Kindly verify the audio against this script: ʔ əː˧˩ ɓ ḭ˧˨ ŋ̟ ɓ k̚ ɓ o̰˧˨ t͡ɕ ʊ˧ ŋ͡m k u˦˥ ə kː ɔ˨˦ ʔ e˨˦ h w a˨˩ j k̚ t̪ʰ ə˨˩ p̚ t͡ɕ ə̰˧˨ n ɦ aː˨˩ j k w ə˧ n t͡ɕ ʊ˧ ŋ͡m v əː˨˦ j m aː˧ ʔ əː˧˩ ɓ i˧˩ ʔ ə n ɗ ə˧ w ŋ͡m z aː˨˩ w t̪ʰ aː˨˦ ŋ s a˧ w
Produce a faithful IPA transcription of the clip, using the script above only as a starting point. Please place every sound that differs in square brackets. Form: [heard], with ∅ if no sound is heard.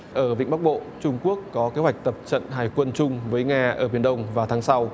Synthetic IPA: ʔ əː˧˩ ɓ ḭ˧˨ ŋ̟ ɓ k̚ ɓ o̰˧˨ t͡ɕ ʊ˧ ŋ͡m k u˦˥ ə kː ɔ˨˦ [k] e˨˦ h w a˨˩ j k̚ [t̪] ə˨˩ p̚ t͡ɕ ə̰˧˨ n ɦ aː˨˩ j k w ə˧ n t͡ɕ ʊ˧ ŋ͡m v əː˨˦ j [ŋ] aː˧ ʔ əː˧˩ ɓ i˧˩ [∅] ə n ɗ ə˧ w ŋ͡m [v] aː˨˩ w t̪ʰ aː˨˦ ŋ s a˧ w